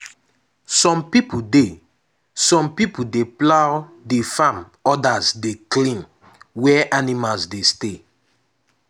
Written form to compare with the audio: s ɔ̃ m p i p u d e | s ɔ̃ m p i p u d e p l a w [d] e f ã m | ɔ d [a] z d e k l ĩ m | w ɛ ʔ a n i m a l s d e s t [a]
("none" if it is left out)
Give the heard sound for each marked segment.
d, a, e

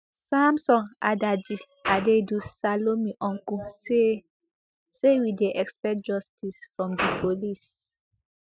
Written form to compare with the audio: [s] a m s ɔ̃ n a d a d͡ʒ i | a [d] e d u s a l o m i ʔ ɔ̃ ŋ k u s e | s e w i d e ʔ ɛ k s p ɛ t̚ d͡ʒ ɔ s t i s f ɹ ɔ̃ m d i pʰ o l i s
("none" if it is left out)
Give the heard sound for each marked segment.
s, d

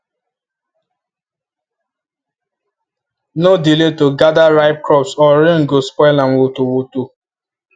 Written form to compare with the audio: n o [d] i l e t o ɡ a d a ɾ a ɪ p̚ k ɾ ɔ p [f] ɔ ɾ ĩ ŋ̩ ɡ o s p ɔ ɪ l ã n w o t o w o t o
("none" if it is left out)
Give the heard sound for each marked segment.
d, s

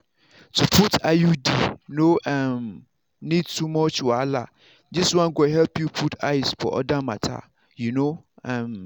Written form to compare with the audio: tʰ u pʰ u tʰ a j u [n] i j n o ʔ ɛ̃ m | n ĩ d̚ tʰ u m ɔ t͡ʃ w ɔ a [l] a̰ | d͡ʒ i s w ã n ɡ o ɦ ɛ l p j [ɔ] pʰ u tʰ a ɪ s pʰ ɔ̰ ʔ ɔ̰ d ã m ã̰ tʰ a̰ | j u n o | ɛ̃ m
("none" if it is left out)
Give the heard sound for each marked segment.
d, l, u

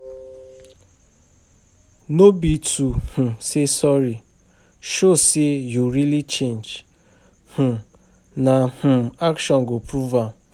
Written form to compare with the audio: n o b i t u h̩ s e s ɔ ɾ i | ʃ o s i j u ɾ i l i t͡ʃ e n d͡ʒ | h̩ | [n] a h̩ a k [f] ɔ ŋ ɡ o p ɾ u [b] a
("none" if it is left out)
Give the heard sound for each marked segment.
n, ʃ, v

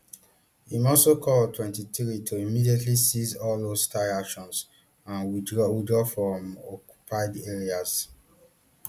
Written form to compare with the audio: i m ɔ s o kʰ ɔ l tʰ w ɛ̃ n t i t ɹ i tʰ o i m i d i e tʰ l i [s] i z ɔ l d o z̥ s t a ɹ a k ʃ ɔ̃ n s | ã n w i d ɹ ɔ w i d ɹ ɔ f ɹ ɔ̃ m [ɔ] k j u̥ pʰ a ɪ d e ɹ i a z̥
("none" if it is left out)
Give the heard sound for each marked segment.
s, ɔ

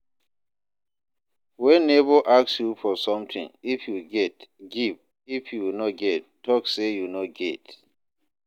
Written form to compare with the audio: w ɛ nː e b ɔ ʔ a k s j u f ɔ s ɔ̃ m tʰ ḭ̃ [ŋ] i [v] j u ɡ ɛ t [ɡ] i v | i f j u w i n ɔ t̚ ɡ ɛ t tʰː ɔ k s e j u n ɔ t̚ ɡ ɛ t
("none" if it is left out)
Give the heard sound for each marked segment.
ŋ, f, ɡ

